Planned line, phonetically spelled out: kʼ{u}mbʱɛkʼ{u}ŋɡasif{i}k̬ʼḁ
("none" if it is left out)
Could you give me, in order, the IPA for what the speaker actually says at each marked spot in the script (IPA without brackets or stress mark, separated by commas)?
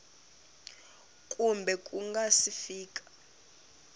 u, u, iː